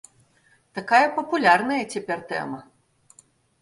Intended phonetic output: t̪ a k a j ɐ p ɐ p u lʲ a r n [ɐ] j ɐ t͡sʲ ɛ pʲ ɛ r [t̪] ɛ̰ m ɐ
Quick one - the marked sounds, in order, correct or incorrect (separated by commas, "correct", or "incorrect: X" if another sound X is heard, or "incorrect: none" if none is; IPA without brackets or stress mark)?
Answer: correct, correct